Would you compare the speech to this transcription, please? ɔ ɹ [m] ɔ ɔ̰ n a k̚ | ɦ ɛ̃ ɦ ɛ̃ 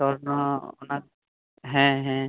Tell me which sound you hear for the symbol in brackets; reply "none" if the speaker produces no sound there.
n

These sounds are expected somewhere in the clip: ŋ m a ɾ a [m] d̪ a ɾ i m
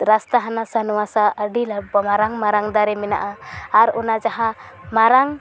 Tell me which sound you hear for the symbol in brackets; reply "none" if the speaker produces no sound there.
ŋ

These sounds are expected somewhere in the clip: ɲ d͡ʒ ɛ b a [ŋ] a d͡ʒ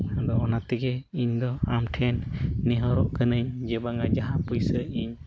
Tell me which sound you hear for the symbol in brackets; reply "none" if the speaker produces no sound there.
ŋ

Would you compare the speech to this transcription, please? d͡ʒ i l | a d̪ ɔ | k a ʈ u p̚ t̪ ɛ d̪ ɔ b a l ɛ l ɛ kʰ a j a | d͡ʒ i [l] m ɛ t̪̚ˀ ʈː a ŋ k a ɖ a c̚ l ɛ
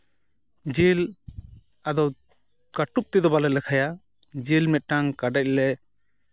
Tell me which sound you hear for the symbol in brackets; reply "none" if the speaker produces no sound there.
l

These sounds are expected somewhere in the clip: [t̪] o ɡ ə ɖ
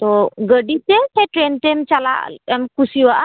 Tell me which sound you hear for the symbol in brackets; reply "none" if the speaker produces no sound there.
t̪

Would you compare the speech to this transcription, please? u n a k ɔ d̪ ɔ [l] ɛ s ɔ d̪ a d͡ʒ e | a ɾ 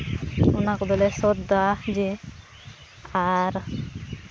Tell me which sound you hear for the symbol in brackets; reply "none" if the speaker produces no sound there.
l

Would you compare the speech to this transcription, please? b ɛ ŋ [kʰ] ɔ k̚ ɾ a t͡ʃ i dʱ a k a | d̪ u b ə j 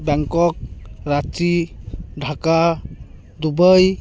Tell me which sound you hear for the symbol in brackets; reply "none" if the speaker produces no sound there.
k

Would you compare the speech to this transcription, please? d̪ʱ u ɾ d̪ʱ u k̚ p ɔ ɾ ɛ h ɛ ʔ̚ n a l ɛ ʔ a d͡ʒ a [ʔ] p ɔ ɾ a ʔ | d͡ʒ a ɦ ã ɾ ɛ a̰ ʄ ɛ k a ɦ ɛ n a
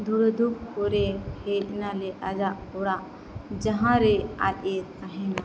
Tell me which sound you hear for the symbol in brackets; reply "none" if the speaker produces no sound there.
ʔ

